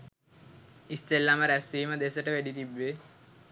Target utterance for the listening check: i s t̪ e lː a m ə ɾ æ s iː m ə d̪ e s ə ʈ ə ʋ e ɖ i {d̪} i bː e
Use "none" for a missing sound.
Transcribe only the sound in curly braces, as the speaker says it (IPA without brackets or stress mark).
t̪